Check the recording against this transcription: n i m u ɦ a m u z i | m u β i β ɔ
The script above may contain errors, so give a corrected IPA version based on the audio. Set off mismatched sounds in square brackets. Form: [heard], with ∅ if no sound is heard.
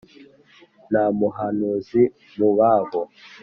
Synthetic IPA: n [a] m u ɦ a [n] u z i | m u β [a] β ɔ